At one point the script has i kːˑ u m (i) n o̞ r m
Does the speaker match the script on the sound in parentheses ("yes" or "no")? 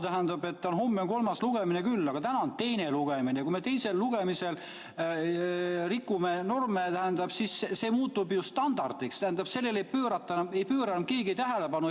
no